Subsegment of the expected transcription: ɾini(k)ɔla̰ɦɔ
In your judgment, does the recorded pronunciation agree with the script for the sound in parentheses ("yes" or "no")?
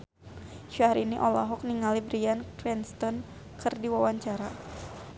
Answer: no